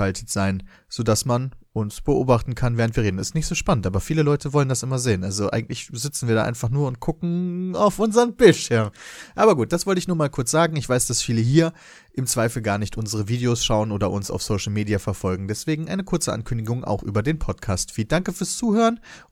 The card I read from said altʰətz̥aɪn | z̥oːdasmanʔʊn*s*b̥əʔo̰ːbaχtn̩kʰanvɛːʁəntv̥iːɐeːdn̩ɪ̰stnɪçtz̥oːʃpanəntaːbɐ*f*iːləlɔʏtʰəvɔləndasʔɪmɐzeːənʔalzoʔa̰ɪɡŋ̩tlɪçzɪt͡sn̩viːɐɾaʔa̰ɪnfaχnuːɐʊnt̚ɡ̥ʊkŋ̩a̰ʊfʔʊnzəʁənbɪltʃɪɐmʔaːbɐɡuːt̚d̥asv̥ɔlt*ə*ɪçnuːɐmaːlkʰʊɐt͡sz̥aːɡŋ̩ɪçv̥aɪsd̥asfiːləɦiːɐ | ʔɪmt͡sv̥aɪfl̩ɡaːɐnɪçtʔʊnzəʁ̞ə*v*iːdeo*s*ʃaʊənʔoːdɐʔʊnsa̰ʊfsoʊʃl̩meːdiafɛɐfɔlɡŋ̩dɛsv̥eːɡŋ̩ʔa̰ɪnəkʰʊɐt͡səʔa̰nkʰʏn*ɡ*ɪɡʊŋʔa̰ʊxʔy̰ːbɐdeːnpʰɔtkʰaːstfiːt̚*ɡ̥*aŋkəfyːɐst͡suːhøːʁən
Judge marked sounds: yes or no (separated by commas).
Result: yes, yes, yes, yes, yes, no, no